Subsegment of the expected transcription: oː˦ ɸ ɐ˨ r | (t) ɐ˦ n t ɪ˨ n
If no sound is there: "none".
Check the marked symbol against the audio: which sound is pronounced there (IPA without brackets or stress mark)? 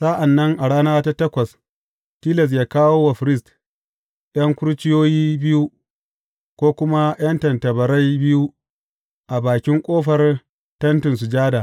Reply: t